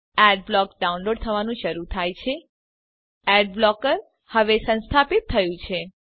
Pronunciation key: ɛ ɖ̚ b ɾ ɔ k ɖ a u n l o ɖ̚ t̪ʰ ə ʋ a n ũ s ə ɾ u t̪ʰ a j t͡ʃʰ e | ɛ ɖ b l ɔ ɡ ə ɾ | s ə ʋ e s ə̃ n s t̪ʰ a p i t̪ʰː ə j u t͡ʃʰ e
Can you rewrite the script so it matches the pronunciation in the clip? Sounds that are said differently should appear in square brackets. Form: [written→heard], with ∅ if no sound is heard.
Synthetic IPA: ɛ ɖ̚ b [ɾ→l] ɔ k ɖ a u n l o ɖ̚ t̪ʰ ə ʋ a n ũ [s→ʃ] ə ɾ u t̪ʰ a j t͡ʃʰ e | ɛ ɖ b l ɔ [ɡ→k] ə ɾ | [s→h] ə ʋ e s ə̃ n s t̪ʰ a p i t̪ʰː ə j [u→ũ] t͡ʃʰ e